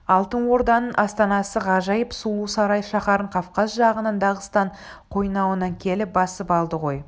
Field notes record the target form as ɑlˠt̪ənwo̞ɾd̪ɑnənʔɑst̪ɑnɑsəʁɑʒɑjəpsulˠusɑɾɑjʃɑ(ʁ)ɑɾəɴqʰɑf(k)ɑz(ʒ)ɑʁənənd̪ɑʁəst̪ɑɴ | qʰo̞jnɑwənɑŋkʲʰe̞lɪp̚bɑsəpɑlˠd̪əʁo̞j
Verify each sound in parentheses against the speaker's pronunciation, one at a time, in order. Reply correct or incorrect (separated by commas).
incorrect, incorrect, correct